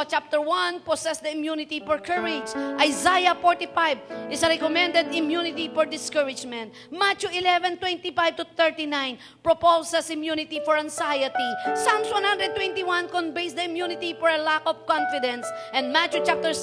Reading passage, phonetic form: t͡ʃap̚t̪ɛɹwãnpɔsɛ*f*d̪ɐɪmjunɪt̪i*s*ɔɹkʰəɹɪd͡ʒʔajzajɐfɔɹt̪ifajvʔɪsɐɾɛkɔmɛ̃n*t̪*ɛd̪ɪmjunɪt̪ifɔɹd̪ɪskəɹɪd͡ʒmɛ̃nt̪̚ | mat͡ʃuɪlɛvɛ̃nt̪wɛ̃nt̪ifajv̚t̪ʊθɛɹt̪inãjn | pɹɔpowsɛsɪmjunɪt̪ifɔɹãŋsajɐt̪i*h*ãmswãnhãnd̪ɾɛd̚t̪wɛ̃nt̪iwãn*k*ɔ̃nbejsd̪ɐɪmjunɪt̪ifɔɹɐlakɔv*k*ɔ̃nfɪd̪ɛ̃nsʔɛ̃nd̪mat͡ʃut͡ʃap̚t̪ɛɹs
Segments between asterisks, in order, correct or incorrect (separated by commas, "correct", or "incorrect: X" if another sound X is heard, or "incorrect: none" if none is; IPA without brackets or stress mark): incorrect: s, incorrect: f, incorrect: d̪, incorrect: s, correct, correct